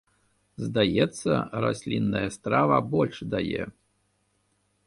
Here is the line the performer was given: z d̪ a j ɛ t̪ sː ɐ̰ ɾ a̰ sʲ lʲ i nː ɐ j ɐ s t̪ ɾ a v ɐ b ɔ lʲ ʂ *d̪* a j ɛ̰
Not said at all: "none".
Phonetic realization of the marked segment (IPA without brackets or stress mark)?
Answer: d̪